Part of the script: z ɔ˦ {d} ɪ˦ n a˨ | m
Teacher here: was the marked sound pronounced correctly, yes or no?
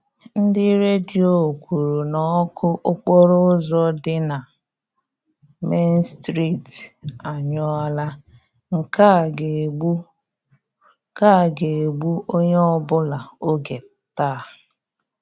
yes